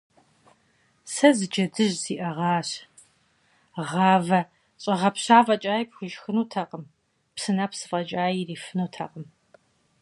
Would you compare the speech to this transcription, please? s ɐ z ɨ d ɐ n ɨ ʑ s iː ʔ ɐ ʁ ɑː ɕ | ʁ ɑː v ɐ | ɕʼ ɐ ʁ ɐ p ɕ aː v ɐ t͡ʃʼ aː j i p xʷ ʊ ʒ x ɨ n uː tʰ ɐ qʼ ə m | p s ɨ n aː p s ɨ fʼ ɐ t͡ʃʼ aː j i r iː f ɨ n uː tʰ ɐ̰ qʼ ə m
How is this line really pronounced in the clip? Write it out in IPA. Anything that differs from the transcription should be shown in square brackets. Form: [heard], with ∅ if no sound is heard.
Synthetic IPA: s ɐ z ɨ [d͡ʒ] ɐ [d] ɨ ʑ [z] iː ʔ ɐ ʁ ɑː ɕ | ʁ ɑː v ɐ | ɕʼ ɐ ʁ ɐ p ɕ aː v ɐ t͡ʃʼ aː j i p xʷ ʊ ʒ x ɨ n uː tʰ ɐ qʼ ə m | p s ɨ n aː p s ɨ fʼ ɐ t͡ʃʼ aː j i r iː f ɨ n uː tʰ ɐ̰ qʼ ə m